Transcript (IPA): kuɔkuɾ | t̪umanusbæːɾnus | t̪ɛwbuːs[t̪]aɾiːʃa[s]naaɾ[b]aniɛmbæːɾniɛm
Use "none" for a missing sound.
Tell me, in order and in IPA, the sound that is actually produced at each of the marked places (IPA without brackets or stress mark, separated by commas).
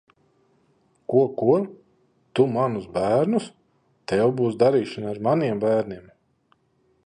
d̪, none, m